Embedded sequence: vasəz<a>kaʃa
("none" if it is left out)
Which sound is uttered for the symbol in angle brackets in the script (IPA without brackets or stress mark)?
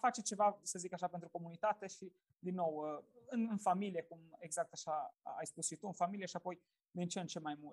i